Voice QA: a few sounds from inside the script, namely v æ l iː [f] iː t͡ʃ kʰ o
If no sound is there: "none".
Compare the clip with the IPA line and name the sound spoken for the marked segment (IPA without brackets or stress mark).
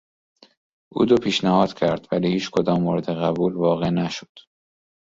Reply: h